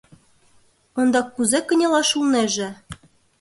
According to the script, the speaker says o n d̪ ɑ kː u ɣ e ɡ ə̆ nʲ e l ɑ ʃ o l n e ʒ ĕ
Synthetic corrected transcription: o n d̪ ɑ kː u z e k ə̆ nʲ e l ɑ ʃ u l n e ʒ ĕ